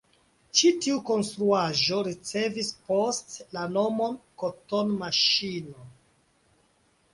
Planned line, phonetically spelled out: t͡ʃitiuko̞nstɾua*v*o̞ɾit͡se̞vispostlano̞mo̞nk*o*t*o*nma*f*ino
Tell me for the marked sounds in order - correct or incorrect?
incorrect, correct, correct, incorrect

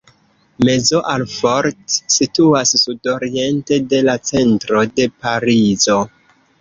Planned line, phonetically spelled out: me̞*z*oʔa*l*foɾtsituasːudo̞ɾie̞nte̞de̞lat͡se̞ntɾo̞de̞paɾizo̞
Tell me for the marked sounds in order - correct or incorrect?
correct, correct

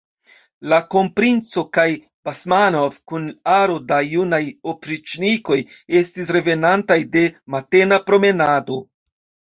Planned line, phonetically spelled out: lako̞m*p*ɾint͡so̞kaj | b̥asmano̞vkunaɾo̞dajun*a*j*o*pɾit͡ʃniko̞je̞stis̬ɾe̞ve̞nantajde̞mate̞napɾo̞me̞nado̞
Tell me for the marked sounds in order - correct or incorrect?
correct, correct, correct

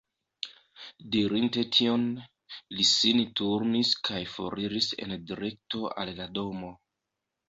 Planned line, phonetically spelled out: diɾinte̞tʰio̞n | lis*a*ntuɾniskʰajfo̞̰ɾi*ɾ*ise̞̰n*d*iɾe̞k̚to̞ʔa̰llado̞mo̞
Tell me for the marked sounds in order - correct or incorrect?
incorrect, correct, correct

